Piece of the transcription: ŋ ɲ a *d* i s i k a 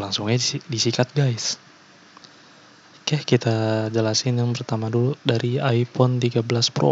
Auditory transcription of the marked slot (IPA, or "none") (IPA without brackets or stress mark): d